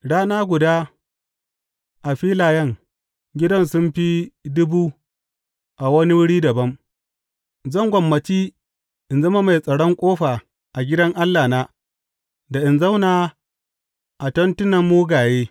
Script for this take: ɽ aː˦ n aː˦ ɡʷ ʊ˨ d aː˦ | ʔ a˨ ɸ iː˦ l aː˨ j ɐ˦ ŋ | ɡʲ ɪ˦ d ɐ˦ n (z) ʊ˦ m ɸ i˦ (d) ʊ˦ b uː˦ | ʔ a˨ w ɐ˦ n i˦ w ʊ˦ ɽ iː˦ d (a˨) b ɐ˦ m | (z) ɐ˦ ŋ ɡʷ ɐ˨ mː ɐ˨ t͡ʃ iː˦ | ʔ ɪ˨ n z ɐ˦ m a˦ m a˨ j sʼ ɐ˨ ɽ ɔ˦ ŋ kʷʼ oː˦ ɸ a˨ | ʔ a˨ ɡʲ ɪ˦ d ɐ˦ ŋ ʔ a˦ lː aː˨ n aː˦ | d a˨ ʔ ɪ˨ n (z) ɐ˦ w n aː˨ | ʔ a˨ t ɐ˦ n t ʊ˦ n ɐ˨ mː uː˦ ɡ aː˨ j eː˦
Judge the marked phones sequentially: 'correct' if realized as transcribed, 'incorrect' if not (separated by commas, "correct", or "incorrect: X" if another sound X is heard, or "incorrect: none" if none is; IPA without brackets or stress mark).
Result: incorrect: s, correct, incorrect: ɐ˨, correct, correct